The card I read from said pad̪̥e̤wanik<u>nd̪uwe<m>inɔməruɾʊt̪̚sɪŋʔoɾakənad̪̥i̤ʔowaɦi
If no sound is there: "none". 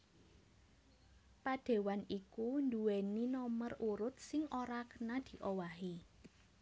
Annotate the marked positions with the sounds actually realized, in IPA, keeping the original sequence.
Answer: u, n

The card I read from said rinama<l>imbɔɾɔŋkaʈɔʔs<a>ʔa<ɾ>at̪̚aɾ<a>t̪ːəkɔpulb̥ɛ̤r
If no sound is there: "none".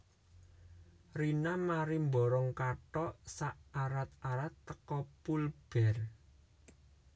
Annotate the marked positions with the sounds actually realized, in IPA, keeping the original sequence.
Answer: ɾ, a, ɾ, a

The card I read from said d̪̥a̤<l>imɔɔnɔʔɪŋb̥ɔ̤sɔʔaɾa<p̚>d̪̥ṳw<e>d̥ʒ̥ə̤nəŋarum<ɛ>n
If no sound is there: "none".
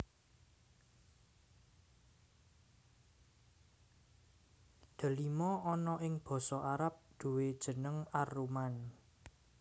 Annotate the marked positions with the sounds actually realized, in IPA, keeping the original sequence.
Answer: l, p̚, e, a

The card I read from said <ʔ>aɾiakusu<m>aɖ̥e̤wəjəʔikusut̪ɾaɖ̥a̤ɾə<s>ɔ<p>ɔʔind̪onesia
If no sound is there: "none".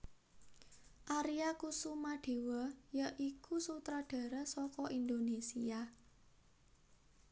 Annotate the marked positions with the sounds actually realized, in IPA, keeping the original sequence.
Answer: ʔ, m, s, k

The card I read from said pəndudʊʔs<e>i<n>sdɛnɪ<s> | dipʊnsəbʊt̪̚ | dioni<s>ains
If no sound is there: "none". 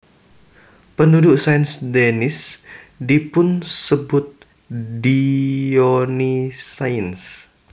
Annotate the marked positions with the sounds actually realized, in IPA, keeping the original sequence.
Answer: a, n, s, s

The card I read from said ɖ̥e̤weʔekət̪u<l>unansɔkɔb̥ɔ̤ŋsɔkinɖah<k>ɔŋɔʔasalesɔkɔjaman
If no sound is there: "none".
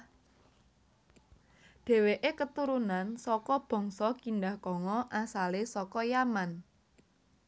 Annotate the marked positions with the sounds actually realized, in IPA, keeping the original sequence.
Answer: ɾ, k

